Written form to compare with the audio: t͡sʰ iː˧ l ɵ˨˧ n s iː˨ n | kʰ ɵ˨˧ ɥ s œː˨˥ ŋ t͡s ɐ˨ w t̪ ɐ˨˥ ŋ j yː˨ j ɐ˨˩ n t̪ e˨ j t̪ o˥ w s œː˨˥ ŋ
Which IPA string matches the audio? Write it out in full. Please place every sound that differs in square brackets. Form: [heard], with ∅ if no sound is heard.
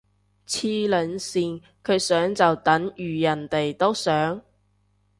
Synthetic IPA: t͡sʰ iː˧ l ɵ˨˧ n s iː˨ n | kʰ ɵ˨˧ ɥ s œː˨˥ ŋ t͡s ɐ˨ w t̪ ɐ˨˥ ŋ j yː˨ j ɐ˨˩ n t̪ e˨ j t̪ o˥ w s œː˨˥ ŋ